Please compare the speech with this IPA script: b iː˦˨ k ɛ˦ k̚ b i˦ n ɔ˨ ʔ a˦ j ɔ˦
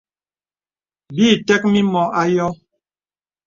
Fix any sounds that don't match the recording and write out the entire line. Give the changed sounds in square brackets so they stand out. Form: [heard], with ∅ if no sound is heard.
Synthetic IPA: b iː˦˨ [t] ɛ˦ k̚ [m] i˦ [m] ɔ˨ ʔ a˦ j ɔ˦